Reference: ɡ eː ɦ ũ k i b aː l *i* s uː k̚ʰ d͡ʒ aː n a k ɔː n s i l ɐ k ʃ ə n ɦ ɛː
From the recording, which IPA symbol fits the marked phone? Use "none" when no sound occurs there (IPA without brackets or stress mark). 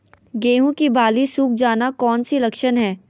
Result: i